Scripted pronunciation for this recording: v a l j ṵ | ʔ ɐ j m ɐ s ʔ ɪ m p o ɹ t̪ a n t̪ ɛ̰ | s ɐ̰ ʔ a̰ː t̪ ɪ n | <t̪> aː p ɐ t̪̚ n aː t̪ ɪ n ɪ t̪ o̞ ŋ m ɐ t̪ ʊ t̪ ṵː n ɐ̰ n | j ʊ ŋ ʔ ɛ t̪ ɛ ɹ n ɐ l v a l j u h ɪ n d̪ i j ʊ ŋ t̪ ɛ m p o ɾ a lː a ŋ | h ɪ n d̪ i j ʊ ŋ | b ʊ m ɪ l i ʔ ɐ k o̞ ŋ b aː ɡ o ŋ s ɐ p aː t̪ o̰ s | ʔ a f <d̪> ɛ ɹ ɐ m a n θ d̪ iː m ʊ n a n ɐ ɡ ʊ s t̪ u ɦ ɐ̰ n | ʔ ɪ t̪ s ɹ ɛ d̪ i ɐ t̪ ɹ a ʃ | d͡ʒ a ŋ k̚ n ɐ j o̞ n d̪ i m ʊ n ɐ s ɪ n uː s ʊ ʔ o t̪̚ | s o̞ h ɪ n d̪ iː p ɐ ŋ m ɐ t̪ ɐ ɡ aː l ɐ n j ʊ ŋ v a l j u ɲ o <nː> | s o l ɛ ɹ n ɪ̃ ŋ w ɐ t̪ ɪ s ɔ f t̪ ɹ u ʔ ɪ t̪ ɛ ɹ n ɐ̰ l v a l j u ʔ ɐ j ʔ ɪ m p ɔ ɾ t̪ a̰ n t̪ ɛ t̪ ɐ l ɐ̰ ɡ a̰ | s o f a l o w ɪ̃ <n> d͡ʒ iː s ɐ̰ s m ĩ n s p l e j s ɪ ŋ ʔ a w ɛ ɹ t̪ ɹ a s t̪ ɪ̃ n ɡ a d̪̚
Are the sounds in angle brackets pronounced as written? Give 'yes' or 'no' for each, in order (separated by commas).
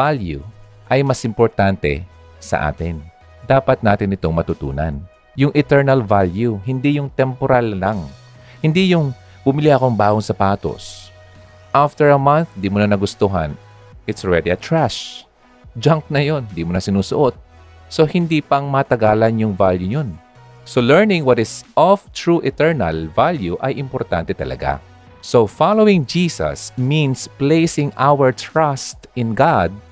no, no, no, no